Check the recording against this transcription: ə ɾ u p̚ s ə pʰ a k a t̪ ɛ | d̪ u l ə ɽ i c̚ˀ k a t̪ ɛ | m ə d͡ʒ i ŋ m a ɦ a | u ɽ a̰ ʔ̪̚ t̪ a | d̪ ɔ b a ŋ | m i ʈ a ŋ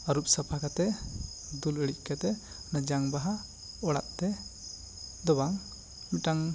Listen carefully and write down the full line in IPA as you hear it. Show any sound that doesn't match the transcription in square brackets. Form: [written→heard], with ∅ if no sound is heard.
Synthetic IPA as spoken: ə ɾ u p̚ s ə pʰ a k a t̪ ɛ | d̪ u l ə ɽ i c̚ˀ k a t̪ ɛ | [m→n] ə d͡ʒ [i→a] ŋ [m→b] a ɦ a | [u→ɔ] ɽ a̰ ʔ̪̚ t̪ [a→ɛ] | d̪ ɔ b a ŋ | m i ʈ a ŋ